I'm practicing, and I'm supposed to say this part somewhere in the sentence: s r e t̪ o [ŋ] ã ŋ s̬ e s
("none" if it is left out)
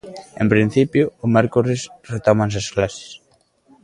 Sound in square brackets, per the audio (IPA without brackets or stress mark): m